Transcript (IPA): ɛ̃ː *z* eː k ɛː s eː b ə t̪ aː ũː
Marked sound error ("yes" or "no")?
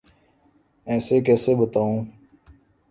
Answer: yes